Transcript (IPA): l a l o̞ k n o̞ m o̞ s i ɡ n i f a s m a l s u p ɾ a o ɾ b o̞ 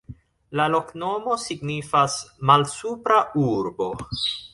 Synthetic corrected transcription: l a l o̞ k n o̞ m o̞ s i ɡ n i f a s m a l s u p ɾ a u ɾ b o̞